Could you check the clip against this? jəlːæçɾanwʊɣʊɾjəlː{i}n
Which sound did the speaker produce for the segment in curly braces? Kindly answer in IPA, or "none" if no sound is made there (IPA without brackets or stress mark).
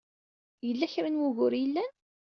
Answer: æ